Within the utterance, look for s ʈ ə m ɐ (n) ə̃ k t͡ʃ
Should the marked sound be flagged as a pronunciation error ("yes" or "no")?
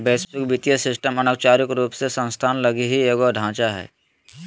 no